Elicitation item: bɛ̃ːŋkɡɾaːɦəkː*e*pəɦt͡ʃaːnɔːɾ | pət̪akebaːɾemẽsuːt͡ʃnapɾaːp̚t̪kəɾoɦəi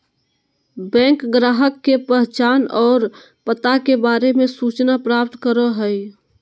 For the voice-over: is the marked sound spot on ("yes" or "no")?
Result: yes